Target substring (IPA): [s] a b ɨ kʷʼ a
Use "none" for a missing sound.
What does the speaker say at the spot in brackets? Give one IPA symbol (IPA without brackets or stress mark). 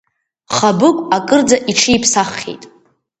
χ